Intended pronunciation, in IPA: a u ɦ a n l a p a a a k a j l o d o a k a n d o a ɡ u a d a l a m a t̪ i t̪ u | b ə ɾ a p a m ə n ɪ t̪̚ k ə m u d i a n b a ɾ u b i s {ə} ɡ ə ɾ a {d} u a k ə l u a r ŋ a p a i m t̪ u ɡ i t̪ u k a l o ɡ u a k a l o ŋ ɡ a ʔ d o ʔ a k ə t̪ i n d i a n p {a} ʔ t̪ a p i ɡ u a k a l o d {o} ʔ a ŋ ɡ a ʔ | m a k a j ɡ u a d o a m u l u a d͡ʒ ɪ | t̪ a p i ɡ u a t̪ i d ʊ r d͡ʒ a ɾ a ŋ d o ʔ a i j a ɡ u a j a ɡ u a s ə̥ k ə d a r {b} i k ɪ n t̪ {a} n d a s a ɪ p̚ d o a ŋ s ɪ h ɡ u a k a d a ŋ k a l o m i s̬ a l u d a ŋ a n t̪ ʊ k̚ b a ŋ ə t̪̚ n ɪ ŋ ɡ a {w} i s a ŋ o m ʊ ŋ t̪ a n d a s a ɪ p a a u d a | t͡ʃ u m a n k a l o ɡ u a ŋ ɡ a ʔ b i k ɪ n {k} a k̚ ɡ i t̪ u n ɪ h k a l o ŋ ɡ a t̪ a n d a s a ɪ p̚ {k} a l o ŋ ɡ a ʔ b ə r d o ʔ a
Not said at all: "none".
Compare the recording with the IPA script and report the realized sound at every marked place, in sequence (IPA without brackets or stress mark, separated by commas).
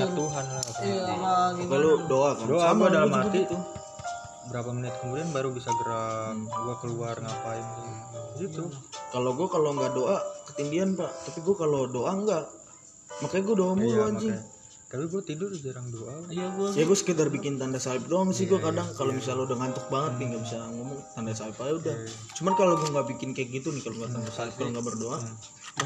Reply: a, ɡ, a, o, b, a, b, k, k